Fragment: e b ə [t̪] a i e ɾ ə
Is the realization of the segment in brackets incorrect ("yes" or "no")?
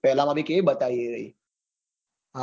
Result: no